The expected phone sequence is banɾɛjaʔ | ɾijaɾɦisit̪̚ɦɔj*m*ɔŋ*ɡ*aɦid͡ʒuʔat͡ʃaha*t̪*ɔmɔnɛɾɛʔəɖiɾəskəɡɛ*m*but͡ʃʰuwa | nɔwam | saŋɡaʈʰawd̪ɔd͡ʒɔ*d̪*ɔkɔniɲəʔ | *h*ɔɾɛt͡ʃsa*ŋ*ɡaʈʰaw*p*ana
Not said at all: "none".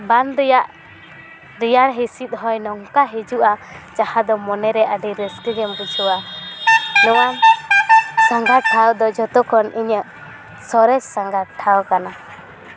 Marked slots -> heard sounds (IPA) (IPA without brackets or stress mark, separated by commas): n, k, d̪, m, t̪, s, ŋ, k